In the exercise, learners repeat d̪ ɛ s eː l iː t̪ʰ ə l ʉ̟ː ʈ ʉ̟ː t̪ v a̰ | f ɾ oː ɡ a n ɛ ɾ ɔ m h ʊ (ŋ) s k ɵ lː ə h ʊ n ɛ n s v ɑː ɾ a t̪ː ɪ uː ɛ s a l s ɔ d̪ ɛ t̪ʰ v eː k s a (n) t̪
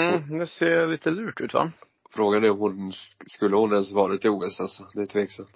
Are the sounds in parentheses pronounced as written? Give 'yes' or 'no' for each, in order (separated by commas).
no, no